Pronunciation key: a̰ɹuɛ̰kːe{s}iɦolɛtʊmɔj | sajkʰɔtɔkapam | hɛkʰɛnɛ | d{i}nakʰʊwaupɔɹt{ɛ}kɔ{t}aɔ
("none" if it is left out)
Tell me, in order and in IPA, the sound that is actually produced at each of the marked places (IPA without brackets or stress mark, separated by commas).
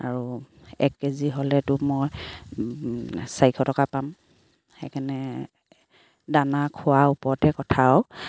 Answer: z, a, ɛ, tʰ